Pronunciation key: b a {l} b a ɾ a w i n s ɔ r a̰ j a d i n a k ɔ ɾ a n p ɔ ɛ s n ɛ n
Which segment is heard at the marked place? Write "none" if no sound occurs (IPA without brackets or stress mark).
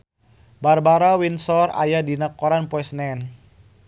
r